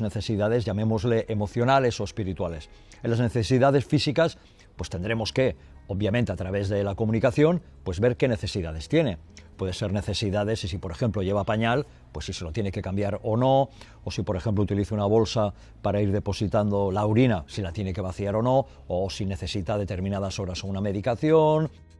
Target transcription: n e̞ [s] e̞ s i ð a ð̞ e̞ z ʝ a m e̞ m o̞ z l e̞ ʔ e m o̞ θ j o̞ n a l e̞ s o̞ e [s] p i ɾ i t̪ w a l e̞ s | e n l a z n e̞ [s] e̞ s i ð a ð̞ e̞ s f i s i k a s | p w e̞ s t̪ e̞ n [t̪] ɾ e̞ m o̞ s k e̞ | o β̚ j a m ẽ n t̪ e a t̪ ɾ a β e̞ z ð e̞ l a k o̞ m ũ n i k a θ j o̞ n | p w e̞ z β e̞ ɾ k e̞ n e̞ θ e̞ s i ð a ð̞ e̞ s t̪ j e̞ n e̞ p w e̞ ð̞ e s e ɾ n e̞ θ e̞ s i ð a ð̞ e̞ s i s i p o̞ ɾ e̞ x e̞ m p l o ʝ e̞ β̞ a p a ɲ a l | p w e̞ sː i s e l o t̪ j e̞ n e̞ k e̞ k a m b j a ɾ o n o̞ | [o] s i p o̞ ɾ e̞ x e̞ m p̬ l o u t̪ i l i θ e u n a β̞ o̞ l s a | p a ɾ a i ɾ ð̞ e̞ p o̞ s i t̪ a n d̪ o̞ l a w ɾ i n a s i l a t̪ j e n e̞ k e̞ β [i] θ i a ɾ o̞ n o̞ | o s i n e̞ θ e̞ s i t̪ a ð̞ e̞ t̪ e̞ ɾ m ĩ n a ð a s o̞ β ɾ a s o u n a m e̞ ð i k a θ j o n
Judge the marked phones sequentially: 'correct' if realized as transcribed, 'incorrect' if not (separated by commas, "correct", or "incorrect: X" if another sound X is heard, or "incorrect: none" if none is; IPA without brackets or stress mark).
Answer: incorrect: θ, correct, incorrect: θ, incorrect: d̪, correct, incorrect: a